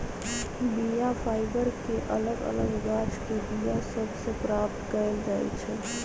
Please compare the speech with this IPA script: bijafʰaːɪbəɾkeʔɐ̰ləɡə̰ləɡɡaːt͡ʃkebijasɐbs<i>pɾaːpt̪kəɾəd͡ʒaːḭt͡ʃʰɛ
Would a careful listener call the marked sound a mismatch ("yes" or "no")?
yes